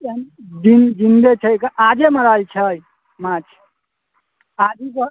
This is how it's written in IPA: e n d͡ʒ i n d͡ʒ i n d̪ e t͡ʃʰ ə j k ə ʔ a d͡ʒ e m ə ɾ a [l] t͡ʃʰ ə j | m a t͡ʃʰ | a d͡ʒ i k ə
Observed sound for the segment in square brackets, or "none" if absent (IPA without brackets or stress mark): l